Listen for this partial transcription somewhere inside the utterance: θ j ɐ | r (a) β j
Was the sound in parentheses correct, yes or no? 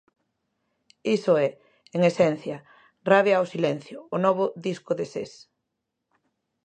yes